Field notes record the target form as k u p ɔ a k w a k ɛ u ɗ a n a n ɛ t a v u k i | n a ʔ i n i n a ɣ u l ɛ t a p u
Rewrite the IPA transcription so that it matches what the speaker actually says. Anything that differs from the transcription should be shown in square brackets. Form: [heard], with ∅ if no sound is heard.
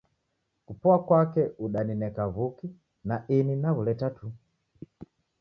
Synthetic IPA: k u p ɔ a k w a k ɛ u ɗ a n [i] n ɛ [k] a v u k i | n a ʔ i n i n a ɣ u l ɛ t a [t] u